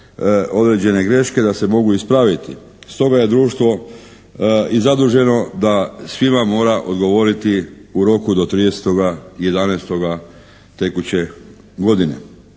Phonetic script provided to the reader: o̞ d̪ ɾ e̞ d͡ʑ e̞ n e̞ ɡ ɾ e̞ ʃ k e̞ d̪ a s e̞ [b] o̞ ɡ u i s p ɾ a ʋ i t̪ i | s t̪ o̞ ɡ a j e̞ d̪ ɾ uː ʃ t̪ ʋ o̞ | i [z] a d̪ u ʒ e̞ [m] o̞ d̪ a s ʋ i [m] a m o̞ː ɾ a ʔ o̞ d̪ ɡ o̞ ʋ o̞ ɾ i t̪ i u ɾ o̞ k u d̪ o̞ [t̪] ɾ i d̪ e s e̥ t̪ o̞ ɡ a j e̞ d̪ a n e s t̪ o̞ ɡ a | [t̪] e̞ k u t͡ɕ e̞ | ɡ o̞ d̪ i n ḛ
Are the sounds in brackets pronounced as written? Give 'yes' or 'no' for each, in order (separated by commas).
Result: no, yes, no, yes, yes, yes